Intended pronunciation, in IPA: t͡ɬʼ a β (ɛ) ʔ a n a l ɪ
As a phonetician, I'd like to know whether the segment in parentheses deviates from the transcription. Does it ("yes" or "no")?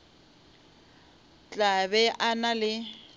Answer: no